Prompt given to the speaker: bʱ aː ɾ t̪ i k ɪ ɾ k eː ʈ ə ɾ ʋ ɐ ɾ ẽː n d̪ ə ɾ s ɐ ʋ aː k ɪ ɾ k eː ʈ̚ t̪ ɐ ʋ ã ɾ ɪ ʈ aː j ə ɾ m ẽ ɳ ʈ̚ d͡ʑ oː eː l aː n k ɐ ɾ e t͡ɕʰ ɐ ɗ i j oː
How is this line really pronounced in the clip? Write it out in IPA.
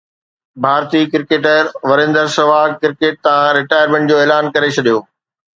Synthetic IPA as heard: bʱ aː ɾ t̪ i k ɪ ɾ k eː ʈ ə ɾ ʋ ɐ ɾ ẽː n d̪ ə ɾ s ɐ ʋ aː k ɪ ɾ k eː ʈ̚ t̪ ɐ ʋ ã ɾ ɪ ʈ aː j ə ɾ m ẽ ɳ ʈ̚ d͡ʑ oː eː l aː n k ɐ ɾ e t͡ɕʰ ɐ ɗ i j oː